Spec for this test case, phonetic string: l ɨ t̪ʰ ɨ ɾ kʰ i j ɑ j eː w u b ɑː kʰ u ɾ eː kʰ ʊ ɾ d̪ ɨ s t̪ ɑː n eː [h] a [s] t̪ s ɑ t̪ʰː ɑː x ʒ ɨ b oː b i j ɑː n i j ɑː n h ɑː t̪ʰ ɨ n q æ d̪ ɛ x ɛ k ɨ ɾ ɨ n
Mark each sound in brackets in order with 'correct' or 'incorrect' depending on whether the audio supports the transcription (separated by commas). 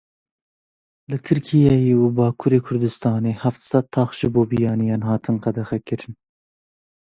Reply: correct, incorrect